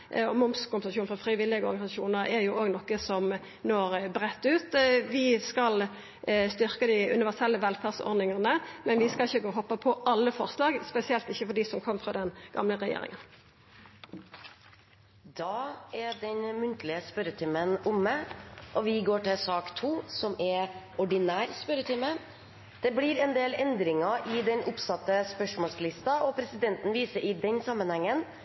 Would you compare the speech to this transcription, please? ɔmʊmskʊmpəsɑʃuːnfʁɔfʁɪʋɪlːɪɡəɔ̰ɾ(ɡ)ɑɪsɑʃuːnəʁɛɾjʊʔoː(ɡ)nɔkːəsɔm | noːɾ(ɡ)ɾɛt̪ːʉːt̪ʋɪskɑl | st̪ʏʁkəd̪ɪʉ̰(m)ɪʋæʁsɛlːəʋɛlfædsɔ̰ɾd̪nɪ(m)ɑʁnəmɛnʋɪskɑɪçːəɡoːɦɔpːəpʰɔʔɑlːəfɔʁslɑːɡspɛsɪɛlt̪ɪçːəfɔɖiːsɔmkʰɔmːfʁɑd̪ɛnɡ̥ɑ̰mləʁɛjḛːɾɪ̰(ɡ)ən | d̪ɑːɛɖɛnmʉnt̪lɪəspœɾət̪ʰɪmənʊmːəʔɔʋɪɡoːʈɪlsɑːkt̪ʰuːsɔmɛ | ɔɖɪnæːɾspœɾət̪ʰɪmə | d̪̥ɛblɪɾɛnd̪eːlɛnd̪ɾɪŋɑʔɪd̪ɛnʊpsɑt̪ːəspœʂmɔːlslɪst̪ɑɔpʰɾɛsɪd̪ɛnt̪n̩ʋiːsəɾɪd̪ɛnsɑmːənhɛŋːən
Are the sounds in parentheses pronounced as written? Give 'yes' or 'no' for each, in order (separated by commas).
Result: yes, yes, no, no, no, no